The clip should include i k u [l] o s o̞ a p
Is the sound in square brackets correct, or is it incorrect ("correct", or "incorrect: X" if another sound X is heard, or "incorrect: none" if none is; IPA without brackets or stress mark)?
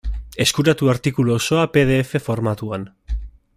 correct